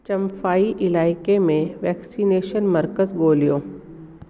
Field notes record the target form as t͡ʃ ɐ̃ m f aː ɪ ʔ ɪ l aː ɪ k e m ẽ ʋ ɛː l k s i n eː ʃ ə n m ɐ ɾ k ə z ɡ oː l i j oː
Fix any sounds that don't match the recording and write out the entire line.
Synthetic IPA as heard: t͡ʃ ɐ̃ m f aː i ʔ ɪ l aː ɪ k e m ẽ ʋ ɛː k s i n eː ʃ ə n m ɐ ɾ k ə z ɡ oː l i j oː